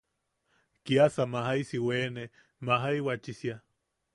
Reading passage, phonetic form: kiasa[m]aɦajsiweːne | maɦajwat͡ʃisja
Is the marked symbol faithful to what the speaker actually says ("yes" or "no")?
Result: yes